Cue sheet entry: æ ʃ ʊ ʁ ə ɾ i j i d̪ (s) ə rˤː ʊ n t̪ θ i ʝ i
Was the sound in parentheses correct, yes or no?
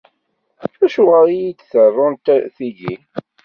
no